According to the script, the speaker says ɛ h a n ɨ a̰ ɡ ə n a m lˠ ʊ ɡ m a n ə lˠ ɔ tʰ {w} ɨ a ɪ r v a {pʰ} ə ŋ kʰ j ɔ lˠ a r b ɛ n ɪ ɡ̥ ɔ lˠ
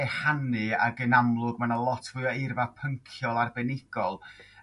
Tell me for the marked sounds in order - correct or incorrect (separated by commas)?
incorrect, correct